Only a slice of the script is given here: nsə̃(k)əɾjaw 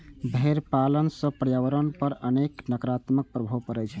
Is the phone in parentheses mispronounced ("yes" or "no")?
yes